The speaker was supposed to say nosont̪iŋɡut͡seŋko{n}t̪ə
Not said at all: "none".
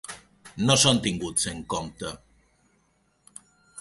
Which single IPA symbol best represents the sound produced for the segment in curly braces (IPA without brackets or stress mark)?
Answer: m